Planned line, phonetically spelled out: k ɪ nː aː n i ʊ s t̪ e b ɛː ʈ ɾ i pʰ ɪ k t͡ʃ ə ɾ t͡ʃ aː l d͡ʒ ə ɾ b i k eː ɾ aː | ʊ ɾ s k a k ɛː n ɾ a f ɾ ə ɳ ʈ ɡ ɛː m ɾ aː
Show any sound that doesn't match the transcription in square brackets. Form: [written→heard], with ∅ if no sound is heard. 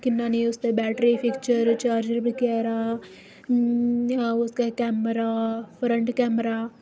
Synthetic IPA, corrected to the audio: k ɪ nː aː n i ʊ s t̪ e b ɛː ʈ ɾ i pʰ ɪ k t͡ʃ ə ɾ t͡ʃ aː [l→ɾ] d͡ʒ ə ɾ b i k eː ɾ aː | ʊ [ɾ→∅] s k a k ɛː [n→m] ɾ a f ɾ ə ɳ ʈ [ɡ→k] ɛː m ɾ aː